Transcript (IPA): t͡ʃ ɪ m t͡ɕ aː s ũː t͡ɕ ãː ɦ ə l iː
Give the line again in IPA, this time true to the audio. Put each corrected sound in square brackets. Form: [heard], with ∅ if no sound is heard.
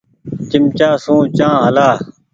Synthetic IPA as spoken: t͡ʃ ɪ m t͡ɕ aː s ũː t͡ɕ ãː ɦ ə l [aː]

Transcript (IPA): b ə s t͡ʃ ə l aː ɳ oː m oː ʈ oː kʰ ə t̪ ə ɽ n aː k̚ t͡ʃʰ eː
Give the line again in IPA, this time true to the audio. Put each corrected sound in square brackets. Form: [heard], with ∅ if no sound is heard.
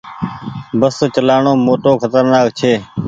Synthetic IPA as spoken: b ə s t͡ʃ ə l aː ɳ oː m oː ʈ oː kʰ ə t̪ ə [ɾ] n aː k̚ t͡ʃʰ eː

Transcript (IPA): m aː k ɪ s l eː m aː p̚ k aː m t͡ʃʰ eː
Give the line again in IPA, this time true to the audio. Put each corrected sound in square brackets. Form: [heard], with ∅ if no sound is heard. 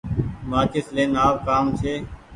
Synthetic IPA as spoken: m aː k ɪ s l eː [n] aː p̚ k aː m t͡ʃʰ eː

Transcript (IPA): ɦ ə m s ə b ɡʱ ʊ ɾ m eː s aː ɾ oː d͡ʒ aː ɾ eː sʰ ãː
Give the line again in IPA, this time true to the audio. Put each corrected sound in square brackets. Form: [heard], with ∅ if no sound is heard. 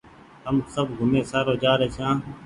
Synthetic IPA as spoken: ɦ ə m s ə b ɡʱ ʊ [∅] m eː s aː ɾ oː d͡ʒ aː ɾ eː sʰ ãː

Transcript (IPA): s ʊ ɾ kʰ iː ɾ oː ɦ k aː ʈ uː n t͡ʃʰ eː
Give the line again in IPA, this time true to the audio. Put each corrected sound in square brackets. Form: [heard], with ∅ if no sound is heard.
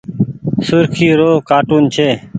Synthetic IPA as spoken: s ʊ ɾ kʰ iː ɾ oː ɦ k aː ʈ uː n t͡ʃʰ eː

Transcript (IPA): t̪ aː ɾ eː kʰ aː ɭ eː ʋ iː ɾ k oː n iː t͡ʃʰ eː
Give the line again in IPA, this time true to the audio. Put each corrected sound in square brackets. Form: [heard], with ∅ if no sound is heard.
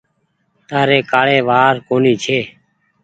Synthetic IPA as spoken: t̪ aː ɾ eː [k] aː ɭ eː ʋ [aː] ɾ k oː n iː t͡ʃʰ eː

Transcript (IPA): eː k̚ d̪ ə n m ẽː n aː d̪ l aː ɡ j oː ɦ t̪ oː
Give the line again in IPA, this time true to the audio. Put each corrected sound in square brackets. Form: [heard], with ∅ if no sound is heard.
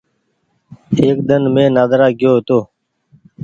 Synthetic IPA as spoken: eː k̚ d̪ ə n m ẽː n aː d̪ [ɾ] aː ɡ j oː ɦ t̪ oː

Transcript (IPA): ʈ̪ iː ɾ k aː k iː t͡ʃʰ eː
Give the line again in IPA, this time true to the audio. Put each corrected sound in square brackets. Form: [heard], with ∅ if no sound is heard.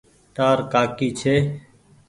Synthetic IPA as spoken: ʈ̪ [aː] ɾ k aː k iː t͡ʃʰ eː

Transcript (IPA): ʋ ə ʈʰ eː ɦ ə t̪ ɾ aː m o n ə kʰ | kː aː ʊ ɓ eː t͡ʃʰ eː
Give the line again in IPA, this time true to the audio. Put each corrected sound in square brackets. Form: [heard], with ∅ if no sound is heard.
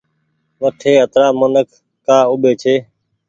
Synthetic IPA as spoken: ʋ ə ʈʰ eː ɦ ə t̪ ɾ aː m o n ə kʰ | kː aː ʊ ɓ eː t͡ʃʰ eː

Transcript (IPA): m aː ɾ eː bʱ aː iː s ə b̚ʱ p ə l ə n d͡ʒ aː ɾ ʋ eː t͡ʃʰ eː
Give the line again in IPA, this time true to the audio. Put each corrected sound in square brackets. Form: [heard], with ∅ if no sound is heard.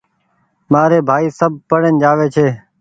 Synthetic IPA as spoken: m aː ɾ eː bʱ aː iː s ə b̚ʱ p ə [ɽ] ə n d͡ʒ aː [∅] ʋ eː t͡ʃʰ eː

